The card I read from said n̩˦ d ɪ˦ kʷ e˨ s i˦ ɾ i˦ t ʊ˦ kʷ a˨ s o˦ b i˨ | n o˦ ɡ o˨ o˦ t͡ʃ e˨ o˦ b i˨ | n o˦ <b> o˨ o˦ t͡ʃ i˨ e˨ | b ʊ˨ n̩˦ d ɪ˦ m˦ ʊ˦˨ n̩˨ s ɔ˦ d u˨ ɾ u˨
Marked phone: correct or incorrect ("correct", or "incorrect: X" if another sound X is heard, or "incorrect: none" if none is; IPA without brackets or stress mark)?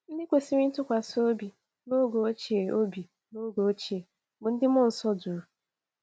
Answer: incorrect: ɡ